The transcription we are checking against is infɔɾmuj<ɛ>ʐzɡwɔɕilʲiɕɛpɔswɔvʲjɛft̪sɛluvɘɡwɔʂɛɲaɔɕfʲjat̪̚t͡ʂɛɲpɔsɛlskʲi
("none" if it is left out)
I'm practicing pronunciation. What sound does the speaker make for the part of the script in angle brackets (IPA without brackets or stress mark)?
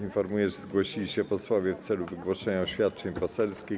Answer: ɛ